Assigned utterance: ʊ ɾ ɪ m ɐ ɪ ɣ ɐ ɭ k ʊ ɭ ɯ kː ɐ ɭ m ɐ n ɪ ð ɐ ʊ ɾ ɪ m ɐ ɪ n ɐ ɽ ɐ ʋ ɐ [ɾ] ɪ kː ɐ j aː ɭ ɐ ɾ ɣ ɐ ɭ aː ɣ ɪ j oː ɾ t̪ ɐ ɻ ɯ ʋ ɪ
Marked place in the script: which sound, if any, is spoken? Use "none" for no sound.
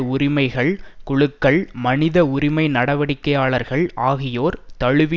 ɽ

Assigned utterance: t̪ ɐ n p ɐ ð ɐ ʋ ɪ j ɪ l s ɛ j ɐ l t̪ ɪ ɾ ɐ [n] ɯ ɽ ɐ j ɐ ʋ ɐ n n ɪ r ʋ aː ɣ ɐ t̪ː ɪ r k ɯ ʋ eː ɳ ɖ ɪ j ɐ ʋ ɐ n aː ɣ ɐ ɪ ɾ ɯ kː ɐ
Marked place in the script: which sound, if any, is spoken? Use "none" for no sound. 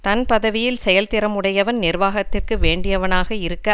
m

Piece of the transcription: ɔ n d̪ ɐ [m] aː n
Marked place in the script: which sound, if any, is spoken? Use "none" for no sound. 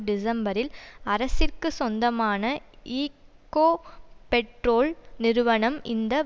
m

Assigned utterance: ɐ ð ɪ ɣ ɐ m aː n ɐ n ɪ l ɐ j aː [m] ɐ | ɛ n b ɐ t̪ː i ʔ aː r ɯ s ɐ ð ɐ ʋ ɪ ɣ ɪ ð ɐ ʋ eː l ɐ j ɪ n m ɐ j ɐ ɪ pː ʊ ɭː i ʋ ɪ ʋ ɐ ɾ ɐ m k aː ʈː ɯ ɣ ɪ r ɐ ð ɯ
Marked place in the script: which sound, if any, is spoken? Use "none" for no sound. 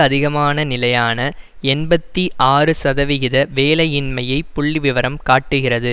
n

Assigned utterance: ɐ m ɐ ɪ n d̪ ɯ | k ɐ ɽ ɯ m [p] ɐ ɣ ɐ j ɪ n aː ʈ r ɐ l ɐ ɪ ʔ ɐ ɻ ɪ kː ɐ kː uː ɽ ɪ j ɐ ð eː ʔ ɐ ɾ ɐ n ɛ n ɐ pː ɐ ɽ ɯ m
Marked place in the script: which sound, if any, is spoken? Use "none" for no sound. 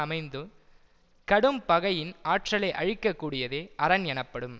p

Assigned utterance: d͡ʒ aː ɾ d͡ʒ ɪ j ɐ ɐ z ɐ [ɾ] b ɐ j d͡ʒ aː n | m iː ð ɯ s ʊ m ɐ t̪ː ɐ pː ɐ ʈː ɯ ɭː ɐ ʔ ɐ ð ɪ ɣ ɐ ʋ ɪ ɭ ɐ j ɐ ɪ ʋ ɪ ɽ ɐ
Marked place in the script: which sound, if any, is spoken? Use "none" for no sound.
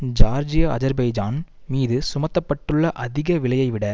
ɾ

